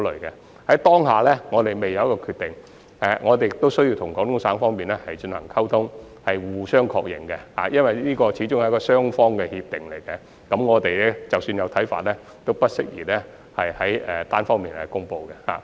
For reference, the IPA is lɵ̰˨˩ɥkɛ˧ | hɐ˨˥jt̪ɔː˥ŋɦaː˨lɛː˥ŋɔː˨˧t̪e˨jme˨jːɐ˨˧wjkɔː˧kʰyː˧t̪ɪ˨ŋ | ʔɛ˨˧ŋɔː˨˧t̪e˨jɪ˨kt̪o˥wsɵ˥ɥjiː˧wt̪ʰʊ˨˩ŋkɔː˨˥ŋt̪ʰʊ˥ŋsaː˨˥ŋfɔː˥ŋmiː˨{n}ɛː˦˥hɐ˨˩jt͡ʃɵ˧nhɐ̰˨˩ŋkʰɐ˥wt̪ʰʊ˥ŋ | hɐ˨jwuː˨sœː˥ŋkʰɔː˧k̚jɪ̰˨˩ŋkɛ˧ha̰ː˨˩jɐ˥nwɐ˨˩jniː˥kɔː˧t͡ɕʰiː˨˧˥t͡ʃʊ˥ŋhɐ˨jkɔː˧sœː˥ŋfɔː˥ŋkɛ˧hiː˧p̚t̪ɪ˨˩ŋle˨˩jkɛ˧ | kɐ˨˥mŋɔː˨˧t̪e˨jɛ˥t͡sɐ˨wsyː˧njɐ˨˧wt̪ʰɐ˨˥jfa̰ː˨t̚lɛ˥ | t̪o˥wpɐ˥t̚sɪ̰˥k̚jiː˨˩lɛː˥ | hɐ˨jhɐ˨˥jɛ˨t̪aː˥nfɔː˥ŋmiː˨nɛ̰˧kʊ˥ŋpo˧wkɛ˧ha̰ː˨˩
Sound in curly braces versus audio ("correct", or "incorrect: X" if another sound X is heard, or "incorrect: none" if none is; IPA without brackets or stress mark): correct